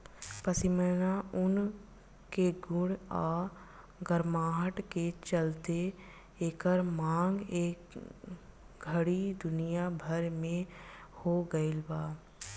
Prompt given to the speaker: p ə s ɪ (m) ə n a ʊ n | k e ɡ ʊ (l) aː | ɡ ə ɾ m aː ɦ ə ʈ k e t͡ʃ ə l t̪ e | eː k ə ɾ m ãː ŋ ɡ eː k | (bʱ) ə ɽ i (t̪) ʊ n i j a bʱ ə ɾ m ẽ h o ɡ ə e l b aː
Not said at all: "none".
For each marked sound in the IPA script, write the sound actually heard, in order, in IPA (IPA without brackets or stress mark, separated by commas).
m, ɽ, ɡʱ, d̪